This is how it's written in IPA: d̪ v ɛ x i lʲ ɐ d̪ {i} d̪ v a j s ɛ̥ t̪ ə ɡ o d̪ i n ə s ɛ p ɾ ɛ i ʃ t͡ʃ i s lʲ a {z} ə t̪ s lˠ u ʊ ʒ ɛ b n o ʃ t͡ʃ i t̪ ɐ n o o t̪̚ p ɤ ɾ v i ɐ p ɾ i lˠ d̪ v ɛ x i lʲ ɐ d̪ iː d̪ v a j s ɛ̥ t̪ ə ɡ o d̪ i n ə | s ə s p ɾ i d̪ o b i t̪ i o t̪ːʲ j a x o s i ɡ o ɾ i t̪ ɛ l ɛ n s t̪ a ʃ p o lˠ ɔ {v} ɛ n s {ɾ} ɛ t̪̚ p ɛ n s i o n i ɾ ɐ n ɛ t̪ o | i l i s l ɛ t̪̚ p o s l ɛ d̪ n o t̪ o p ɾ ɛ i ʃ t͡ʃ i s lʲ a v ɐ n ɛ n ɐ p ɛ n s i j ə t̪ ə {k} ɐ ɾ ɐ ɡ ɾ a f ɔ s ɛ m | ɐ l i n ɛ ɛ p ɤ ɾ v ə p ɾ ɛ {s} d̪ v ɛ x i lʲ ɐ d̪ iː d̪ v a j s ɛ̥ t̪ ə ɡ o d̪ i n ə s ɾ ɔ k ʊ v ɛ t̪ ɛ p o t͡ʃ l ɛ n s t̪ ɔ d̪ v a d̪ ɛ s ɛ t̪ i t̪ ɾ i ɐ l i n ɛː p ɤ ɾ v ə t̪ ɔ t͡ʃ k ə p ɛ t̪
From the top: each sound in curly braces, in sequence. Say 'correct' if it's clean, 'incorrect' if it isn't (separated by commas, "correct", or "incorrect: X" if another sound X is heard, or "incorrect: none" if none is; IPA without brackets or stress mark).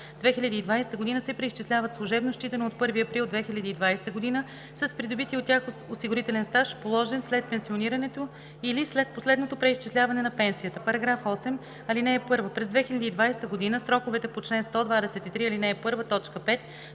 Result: incorrect: iː, incorrect: v, incorrect: ʒ, incorrect: l, incorrect: p, incorrect: z